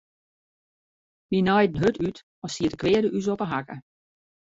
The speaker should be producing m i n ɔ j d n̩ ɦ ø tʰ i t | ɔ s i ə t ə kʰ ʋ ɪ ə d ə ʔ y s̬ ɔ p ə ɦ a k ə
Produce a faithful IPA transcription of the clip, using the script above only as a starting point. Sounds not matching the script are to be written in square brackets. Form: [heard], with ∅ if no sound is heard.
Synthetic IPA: m i n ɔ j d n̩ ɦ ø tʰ [y] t | ɔ s i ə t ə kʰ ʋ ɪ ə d ə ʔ y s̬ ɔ p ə ɦ a k ə